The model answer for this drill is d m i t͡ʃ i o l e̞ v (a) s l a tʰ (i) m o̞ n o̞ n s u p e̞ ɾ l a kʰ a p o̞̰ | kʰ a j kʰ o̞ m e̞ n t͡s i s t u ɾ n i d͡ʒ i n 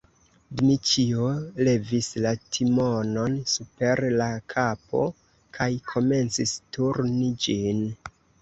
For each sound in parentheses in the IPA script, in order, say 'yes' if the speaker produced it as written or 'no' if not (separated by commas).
no, yes